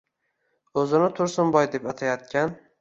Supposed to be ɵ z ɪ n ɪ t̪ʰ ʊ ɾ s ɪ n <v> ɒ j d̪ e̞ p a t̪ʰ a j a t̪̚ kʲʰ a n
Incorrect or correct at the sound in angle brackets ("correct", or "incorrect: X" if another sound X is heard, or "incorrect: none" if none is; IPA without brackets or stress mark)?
incorrect: b